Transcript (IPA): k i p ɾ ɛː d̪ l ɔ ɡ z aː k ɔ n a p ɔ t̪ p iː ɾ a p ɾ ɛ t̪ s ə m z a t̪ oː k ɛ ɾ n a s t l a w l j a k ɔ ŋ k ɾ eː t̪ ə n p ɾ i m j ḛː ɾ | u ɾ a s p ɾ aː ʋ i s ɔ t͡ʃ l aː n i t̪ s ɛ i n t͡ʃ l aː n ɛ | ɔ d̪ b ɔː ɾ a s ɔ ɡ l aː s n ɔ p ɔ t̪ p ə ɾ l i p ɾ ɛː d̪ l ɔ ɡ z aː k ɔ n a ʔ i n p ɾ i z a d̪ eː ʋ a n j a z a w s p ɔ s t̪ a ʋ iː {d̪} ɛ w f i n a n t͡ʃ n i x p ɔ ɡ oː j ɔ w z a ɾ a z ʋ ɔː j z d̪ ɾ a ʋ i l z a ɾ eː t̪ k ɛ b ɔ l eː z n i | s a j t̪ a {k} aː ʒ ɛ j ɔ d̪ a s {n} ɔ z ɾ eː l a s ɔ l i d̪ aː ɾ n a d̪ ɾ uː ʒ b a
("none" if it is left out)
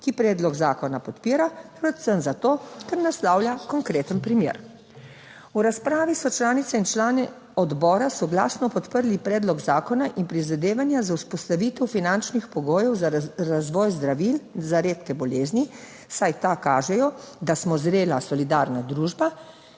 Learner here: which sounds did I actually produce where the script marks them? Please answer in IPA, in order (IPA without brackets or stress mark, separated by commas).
t̪, k, m